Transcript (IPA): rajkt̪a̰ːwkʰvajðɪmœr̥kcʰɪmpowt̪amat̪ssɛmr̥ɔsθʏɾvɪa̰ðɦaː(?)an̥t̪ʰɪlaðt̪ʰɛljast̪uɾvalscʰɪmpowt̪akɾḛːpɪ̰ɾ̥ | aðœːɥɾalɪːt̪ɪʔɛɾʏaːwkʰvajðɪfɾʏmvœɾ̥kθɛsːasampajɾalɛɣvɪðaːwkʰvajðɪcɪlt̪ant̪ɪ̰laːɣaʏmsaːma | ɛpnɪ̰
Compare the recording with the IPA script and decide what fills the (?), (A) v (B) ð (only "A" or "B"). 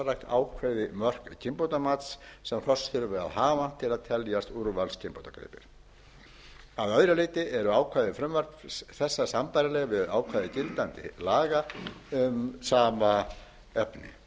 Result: A